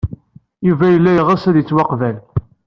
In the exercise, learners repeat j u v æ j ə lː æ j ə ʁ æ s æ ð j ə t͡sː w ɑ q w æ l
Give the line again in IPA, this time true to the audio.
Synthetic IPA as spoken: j u v æ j ə lː æ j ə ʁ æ s æ ð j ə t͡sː w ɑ q v æ l